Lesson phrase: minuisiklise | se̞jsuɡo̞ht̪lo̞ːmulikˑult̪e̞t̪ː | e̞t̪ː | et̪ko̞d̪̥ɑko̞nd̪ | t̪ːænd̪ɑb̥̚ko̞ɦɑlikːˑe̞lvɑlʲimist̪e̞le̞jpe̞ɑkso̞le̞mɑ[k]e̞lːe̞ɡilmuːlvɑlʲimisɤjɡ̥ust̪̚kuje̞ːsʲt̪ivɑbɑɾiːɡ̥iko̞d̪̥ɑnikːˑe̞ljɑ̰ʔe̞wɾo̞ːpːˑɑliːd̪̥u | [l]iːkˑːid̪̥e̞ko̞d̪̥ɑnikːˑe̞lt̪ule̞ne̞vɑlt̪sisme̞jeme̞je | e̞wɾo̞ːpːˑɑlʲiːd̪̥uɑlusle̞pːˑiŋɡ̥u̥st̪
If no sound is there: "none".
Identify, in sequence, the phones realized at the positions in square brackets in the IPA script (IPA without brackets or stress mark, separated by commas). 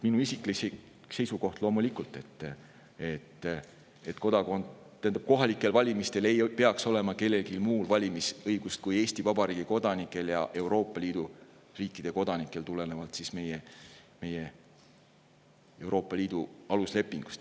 k, r